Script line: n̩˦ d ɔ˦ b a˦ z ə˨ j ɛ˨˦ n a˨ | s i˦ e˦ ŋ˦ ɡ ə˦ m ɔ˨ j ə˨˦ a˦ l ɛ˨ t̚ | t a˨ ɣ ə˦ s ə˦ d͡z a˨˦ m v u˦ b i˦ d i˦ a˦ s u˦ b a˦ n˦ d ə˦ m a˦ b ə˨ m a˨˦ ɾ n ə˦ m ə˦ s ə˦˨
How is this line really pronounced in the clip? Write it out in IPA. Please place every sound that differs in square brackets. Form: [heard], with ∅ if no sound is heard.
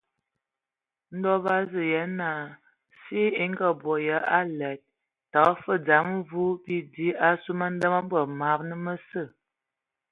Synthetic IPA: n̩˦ d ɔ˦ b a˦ z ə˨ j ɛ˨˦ n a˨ | s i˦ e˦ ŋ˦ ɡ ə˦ [b] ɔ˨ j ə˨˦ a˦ l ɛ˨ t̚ | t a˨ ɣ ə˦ [f] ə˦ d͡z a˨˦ m v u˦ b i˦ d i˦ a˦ s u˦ [m] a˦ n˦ d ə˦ m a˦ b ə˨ m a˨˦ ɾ n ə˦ m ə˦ s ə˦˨